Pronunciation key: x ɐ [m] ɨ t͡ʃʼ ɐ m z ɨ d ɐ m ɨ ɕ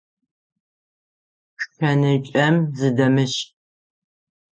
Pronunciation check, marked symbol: incorrect: n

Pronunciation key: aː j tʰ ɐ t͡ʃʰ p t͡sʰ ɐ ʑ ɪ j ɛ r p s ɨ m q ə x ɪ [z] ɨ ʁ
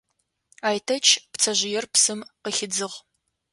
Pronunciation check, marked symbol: incorrect: d͡z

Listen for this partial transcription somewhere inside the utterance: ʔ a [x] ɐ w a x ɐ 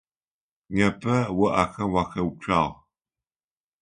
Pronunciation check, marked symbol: correct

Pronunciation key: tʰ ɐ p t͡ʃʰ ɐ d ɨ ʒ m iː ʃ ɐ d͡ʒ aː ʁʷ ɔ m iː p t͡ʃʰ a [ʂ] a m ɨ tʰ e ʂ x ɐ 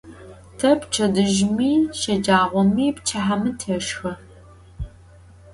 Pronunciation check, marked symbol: incorrect: ħ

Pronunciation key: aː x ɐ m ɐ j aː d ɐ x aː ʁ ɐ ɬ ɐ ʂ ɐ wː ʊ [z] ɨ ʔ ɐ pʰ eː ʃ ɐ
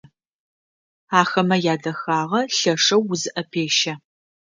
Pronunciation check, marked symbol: correct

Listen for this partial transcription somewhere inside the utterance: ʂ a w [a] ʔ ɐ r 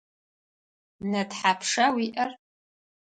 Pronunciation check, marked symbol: incorrect: i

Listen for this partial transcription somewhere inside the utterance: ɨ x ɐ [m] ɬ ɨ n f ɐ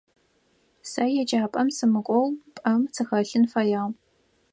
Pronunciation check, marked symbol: incorrect: none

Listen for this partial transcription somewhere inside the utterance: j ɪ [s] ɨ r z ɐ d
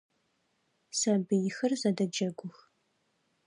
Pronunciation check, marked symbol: incorrect: x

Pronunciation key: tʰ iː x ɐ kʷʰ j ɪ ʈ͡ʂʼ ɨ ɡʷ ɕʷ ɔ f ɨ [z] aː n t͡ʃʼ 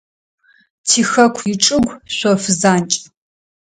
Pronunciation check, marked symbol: correct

